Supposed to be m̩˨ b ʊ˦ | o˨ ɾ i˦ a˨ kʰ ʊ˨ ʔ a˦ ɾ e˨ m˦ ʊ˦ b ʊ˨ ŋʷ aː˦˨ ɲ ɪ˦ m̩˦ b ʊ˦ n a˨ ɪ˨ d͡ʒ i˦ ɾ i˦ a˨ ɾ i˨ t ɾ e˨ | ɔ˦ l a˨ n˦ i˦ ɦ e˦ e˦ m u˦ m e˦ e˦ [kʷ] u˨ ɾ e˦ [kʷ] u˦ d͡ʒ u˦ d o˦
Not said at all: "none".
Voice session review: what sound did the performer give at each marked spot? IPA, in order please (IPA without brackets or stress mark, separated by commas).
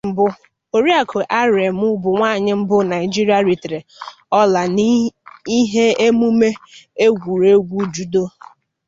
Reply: ɡʷ, ɡʷ